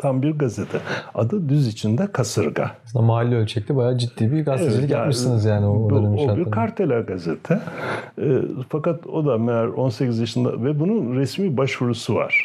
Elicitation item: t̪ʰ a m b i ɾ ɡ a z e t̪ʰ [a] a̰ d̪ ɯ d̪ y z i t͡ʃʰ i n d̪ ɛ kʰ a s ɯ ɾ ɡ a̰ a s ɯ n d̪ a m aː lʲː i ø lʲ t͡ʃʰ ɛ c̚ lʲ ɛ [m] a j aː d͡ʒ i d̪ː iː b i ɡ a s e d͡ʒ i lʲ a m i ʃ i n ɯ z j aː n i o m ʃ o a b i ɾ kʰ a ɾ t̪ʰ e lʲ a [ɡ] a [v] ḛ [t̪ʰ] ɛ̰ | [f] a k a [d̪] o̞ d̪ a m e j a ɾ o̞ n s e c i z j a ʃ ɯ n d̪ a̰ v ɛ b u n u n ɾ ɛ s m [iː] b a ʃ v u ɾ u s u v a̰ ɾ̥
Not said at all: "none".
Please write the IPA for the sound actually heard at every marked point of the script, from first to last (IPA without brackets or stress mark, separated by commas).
ɛ, b, ɡ, z, t̪ʰ, f, t̪, iː